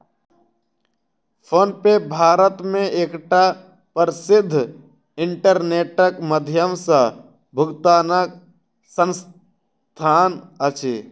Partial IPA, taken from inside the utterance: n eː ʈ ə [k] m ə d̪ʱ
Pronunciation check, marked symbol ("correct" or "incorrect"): correct